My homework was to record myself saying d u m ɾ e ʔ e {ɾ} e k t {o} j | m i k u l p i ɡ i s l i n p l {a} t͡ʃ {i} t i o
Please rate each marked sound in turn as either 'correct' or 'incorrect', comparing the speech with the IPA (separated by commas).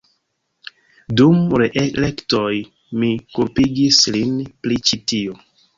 incorrect, correct, incorrect, correct